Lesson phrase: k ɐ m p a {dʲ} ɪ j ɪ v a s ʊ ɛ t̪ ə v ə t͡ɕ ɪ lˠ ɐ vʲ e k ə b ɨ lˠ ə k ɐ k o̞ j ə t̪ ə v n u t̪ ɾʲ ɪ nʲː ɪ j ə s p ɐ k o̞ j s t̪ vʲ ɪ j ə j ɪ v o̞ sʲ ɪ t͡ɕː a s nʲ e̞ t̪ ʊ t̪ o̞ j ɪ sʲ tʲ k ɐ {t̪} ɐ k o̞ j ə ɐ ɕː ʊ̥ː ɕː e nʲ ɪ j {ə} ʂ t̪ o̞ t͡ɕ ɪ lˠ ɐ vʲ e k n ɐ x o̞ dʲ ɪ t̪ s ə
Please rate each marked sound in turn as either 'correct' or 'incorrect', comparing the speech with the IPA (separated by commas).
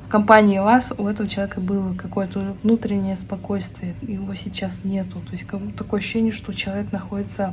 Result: incorrect, correct, correct